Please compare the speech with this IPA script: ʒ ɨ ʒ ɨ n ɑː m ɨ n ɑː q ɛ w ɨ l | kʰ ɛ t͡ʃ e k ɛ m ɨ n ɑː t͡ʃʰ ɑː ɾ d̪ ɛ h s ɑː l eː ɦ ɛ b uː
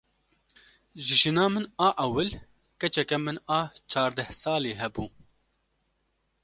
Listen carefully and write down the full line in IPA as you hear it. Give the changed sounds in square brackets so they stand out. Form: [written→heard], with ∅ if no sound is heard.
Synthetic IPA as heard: ʒ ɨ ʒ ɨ n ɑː m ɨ n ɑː [q→ʔ] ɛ w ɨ l | [kʰ→k] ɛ t͡ʃ [e→ɛ] k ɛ m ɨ n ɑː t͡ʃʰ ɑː ɾ d̪ ɛ h s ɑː l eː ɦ ɛ b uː

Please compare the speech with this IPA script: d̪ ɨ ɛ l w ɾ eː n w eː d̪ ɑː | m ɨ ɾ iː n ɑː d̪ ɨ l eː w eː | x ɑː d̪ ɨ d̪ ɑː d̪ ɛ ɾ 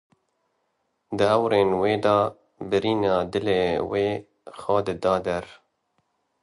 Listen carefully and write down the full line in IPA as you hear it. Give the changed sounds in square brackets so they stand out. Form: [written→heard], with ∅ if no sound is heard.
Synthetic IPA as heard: d̪ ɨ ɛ [l→∅] w ɾ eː n w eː d̪ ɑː | [m→b] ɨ ɾ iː n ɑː d̪ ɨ l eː w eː | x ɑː d̪ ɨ d̪ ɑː d̪ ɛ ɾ

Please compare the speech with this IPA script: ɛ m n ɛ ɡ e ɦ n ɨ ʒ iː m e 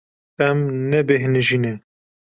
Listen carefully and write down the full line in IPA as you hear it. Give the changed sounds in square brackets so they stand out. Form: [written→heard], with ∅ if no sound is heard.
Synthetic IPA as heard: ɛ m n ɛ [ɡ→b] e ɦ n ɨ ʒ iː [m→n] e

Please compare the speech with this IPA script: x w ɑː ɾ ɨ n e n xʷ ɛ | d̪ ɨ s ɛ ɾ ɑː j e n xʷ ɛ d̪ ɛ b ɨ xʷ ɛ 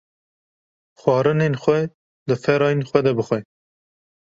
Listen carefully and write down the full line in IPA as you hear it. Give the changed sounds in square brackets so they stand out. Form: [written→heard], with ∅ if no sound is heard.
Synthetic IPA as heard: x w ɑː ɾ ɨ n e n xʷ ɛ | d̪ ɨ [s→f] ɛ ɾ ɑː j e n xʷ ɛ d̪ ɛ b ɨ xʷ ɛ

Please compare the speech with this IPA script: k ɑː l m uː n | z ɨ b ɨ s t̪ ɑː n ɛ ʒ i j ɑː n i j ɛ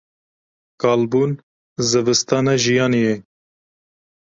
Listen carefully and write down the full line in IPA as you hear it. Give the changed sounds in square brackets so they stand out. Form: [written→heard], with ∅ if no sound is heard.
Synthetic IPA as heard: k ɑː l [m→b] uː n | z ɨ [b→v] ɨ s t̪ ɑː n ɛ ʒ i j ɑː n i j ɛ

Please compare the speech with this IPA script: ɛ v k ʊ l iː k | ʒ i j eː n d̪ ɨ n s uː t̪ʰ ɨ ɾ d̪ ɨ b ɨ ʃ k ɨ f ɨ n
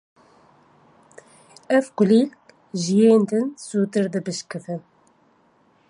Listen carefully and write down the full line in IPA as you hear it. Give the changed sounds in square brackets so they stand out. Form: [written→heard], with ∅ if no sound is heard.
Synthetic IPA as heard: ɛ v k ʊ l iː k | ʒ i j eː n d̪ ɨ n s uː [t̪ʰ→t̪] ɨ ɾ d̪ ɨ b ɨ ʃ k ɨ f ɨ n

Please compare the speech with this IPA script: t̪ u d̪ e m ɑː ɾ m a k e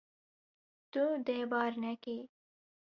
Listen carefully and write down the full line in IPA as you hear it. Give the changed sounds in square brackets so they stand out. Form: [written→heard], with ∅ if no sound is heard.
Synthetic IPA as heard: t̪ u d̪ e [m→b] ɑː ɾ [m→n] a k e

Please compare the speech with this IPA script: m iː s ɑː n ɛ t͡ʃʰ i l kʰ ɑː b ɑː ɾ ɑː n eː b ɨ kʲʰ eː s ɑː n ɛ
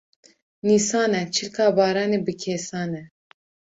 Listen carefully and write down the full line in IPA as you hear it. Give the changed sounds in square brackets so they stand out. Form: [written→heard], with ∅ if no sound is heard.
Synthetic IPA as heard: [m→n] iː s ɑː n ɛ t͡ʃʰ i l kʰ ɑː b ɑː ɾ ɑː n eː b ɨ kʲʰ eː s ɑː n ɛ

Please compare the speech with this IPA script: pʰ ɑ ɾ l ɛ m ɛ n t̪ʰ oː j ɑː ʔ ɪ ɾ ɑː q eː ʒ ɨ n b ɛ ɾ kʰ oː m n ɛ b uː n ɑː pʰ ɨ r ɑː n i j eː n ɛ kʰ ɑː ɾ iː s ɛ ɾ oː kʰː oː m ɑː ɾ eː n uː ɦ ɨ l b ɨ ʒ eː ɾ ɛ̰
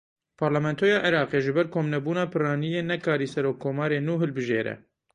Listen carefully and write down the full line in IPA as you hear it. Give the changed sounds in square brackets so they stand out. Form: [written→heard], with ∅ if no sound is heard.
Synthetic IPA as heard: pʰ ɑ ɾ l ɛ m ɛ n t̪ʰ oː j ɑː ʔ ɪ ɾ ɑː q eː ʒ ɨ [n→∅] b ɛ ɾ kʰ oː m n ɛ b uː n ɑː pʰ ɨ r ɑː n i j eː n ɛ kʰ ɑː ɾ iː s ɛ ɾ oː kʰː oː m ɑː ɾ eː n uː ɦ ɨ l b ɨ ʒ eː ɾ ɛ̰

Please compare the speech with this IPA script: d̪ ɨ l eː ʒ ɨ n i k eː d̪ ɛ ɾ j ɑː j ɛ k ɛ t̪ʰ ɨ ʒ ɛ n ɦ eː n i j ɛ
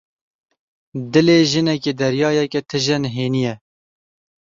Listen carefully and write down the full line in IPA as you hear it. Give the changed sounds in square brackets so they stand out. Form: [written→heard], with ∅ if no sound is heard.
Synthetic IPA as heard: d̪ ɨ l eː ʒ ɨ n [i→ɛ] k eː d̪ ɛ ɾ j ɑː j ɛ k ɛ t̪ʰ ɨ ʒ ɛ n ɦ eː n i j ɛ

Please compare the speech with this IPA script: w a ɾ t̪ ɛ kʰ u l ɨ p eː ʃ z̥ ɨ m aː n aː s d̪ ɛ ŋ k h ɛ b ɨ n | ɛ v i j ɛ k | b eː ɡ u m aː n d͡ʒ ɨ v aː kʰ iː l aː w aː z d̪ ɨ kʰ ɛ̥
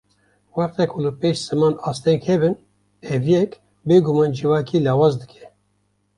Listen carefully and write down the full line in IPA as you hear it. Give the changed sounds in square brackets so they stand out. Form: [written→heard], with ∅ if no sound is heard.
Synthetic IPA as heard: w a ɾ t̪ ɛ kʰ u l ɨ p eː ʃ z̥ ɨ m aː n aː s [d̪→t̪] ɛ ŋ k h ɛ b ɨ n | ɛ v i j ɛ k | b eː ɡ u m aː n d͡ʒ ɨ v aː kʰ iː l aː w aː z d̪ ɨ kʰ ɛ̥

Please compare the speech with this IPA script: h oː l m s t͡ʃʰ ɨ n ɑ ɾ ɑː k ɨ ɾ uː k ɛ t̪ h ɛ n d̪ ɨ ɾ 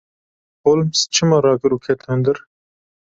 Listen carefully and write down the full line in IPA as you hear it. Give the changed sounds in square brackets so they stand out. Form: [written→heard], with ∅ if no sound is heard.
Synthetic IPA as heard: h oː l m s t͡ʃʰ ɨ [n→m] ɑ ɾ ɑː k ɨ ɾ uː [k→kʰ] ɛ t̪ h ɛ n d̪ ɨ ɾ

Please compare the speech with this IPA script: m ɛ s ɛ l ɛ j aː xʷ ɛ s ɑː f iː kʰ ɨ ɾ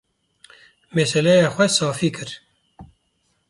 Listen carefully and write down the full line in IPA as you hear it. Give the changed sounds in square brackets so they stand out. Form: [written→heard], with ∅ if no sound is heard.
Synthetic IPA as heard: m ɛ s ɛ l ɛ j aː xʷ ɛ s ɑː f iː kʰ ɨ ɾ

